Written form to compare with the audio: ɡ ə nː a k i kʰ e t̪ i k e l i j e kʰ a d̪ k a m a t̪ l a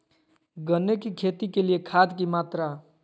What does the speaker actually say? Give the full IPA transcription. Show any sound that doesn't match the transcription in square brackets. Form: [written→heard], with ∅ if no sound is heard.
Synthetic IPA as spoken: ɡ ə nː [a→e] k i kʰ e t̪ i k e l i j e kʰ a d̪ k [a→i] m a t̪ [l→ɾ] a